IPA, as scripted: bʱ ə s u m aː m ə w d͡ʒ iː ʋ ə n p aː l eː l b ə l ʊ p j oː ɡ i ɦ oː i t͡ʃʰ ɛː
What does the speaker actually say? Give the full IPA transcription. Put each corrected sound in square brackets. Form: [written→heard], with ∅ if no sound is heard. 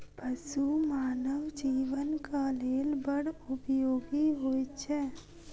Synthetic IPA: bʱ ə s u m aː [m→n] ə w d͡ʒ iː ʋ ə n [p→k] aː l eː l b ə [l→ɽ] ʊ p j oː ɡ i ɦ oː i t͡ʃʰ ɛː